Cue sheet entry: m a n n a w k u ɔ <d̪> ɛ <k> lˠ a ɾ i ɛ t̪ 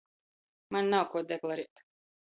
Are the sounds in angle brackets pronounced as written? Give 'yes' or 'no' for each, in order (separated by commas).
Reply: yes, yes